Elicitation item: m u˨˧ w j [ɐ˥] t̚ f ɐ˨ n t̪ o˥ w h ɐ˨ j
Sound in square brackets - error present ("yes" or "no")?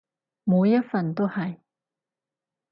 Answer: no